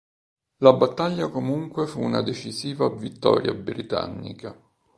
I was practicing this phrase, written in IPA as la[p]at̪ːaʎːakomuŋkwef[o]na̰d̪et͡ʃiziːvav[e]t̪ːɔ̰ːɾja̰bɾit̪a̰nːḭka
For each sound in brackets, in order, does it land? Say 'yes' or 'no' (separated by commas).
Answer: no, no, no